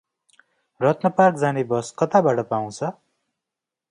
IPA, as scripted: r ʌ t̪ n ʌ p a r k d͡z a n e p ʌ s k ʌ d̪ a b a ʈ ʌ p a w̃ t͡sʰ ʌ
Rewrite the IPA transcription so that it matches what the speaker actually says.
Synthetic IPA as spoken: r ʌ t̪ n ʌ p a r k d͡z a n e b ʌ s k ʌ t̪ a b a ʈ ʌ p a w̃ t͡sʰ ʌ